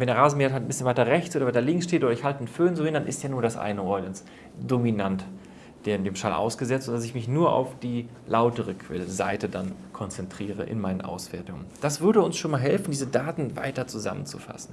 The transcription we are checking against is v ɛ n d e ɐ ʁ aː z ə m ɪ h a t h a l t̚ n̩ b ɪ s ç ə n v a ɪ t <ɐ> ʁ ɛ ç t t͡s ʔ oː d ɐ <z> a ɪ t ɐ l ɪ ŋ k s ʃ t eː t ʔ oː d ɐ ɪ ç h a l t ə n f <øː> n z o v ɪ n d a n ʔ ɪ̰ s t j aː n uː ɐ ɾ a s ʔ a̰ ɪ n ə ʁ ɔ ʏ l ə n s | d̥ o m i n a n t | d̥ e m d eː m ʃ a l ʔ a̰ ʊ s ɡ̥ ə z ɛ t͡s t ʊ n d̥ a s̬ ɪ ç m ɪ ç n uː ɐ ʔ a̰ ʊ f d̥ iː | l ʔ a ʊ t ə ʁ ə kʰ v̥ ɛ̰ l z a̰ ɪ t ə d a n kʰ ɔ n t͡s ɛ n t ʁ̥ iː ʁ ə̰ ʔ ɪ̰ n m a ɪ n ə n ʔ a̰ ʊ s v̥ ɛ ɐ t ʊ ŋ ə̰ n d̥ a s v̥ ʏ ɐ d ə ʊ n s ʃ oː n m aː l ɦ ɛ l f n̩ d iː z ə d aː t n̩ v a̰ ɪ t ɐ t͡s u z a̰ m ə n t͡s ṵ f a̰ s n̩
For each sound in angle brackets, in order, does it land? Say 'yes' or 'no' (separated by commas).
yes, no, yes